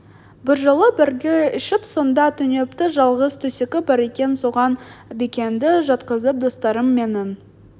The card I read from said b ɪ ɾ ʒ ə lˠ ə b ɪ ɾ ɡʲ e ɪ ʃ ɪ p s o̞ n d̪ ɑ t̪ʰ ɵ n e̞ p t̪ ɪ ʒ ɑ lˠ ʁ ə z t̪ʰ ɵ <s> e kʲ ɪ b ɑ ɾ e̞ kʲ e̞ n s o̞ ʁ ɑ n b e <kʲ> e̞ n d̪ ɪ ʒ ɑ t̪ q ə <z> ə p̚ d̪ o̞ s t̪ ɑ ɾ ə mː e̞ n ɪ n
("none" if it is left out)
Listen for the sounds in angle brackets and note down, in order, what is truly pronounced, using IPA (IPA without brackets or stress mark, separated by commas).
s, kʲ, z